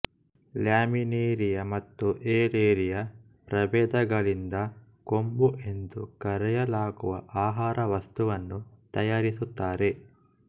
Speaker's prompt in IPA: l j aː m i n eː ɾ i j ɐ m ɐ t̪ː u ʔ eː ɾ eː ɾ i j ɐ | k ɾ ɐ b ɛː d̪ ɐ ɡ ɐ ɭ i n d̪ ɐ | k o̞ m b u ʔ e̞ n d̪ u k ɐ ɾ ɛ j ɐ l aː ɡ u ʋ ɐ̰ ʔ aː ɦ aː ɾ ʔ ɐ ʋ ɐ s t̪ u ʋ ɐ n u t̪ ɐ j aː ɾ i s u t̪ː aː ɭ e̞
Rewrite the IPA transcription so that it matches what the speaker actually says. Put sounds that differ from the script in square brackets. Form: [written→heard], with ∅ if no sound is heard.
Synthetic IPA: l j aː m i n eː ɾ i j ɐ m ɐ t̪ː u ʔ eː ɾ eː ɾ i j ɐ | [k→p] ɾ ɐ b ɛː d̪ ɐ ɡ ɐ ɭ i n d̪ ɐ | k o̞ m b u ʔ e̞ n d̪ u k ɐ ɾ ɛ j ɐ l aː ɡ u ʋ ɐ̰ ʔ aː ɦ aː ɾ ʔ ɐ ʋ ɐ s t̪ u ʋ ɐ [n→nː] u t̪ ɐ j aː ɾ i s u t̪ː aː [ɭ→ɾ] e̞